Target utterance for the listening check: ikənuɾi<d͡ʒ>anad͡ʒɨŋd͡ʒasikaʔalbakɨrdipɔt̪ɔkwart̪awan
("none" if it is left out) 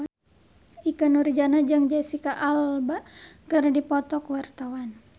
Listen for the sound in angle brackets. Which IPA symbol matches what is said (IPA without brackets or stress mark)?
d͡ʒ